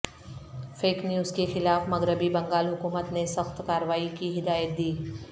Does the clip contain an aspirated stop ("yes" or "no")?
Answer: no